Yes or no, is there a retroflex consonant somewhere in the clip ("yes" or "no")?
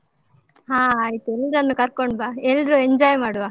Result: yes